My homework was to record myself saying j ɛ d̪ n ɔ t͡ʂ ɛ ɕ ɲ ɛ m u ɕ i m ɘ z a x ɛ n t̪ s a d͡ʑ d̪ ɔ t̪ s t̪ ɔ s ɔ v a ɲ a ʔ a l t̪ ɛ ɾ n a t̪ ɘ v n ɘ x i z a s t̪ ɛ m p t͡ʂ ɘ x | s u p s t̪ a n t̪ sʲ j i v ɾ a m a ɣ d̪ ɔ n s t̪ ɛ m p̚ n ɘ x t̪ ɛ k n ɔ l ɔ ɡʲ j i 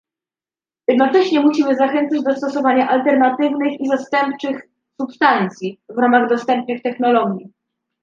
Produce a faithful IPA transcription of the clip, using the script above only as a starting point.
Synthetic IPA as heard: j ɛ d̪ n ɔ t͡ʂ ɛ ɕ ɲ ɛ m u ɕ i m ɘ z a x ɛ n t̪ s a d͡ʑ d̪ ɔ s t̪ ɔ s ɔ v a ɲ a ʔ a l t̪ ɛ ɾ n a t̪ ɘ v n ɘ x i z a s t̪ ɛ m p t͡ʂ ɘ x | s u p s t̪ a n t̪ sʲ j i v ɾ a m a ɣ d̪ ɔ s t̪ ɛ m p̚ n ɘ x t̪ ɛ x n ɔ l ɔ ɡʲ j i